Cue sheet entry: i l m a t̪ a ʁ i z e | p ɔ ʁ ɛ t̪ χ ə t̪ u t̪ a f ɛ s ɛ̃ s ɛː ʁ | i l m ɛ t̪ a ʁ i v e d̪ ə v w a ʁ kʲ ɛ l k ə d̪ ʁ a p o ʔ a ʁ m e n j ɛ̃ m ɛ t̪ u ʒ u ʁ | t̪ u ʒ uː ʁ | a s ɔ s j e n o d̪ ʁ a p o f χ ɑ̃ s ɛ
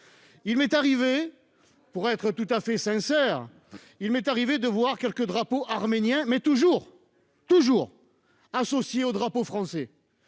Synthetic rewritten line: i l m ɛ t̪ a ʁ i v e | p u ʁ ɛ t̪ χ ə t̪ u t̪ a f ɛ s ɛ̃ s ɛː ʁ | i l m ɛ t̪ a ʁ i v e d̪ ə v w a ʁ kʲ ɛ l k ə d̪ ʁ a p o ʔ a ʁ m e n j ɛ̃ m ɛ t̪ u ʒ u ʁ | t̪ u ʒ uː ʁ | a s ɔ s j e o d̪ ʁ a p o f χ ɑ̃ s ɛ